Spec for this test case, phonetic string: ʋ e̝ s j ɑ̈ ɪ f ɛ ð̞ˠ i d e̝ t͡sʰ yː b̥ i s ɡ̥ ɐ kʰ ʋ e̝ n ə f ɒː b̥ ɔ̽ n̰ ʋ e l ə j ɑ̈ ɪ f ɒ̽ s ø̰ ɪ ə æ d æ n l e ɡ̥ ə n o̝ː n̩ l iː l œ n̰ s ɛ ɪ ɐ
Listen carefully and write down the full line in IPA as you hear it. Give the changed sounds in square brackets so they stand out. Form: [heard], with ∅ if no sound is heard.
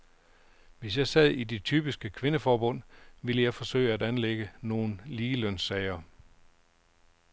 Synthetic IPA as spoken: ʋ e̝ s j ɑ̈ ɪ [s] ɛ ð̞ˠ i d e̝ t͡sʰ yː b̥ i s ɡ̥ [ə] kʰ ʋ e̝ n ə f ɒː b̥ ɔ̽ n̰ ʋ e l ə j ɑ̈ ɪ f ɒ̽ s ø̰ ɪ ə æ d æ n l e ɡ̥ ə n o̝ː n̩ l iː l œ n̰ s ɛ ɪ ɐ